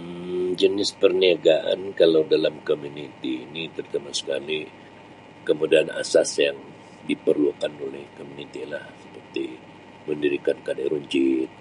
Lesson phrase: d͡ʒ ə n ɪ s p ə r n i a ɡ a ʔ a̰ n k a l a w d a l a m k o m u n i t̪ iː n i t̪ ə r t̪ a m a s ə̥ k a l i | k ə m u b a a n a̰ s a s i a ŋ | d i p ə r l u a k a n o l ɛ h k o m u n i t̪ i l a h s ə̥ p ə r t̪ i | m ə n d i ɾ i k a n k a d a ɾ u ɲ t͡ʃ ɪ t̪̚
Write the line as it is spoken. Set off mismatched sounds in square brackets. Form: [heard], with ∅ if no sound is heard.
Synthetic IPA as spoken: d͡ʒ ə n ɪ s p ə r n i a ɡ a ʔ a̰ n k a l a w d a l a m k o m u n i t̪ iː n i t̪ ə r t̪ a m a s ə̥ k a l i | k ə m u [d] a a n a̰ s a s [j] a ŋ | d i p ə r l u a k a n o l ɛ h k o m u n i t̪ i l a h s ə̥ p ə r t̪ i | m ə n d i ɾ i k a n k a d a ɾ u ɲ t͡ʃ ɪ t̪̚